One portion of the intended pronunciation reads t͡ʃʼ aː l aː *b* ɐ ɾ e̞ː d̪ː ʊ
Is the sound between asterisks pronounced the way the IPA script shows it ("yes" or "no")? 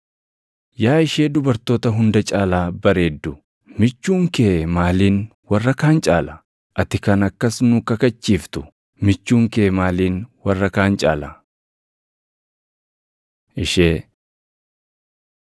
yes